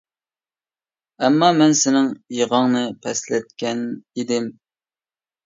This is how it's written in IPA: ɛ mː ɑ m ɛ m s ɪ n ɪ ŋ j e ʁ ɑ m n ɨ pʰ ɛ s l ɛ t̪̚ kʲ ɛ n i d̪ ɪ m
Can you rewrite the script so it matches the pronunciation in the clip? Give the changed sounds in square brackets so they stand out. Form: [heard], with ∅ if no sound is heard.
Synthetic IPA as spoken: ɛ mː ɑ m ɛ [n] s ɪ n ɪ ŋ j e ʁ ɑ [ŋ] n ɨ pʰ ɛ s l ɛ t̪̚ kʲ ɛ n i d̪ ɪ m